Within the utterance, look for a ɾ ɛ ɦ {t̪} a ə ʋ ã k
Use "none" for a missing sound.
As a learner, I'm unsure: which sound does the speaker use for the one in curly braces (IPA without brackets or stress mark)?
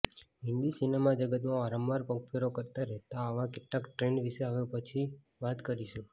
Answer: t̪